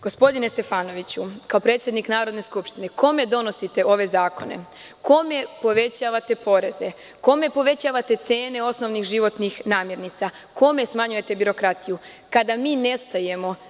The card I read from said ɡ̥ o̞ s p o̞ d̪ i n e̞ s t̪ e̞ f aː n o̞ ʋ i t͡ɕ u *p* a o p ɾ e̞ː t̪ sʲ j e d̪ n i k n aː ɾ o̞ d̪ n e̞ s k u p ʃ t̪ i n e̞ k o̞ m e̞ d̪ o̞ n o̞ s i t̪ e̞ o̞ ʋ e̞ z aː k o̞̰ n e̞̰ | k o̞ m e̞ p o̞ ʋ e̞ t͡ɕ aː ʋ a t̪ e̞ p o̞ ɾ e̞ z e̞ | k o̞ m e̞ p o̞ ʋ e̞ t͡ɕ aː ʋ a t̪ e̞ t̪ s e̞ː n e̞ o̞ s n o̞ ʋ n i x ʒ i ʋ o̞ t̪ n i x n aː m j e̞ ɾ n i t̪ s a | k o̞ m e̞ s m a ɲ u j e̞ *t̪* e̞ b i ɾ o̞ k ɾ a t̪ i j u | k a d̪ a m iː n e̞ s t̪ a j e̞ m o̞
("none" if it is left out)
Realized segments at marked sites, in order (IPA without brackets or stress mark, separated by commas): k, t̪